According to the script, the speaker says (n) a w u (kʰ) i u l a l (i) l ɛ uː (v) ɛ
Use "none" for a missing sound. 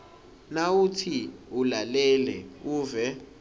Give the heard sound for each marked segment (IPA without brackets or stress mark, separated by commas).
n, tʰ, ɛ, v